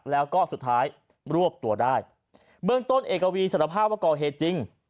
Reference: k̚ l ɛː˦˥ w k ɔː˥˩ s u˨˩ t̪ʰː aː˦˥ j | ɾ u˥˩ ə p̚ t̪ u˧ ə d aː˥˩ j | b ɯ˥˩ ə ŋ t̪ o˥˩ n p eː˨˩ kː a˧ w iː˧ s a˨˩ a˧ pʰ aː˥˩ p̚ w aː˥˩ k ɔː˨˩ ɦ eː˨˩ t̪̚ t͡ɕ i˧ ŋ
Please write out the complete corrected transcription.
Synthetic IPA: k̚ l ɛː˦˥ w k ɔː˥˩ s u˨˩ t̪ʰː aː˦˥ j | ɾ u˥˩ ə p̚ t̪ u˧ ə d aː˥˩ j | b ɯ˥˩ ə ŋ t̪ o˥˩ n ʔ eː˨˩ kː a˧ w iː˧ s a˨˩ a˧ pʰ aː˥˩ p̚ w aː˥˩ k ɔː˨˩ ɦ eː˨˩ t̪̚ t͡ɕ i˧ ŋ